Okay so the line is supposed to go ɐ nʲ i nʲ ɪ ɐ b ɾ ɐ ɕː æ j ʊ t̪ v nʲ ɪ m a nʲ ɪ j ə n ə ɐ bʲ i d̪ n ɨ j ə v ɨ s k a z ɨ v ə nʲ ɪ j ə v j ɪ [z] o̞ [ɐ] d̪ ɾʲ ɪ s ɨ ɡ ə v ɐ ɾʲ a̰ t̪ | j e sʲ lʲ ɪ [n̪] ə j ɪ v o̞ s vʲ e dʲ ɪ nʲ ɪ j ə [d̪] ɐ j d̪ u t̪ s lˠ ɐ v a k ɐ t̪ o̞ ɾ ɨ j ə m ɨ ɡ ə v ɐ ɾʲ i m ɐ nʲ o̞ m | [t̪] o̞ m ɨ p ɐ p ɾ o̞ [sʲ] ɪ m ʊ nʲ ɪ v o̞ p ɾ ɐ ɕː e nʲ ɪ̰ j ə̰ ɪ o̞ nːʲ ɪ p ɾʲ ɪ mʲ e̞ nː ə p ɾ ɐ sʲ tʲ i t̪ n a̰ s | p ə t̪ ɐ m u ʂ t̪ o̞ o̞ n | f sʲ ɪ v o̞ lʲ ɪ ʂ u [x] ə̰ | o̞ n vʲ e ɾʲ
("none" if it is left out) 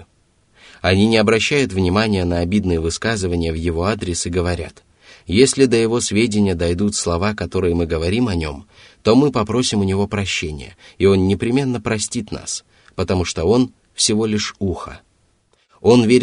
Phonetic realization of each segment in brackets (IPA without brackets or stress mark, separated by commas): v, a, d̪, d̪, t̪, sʲ, x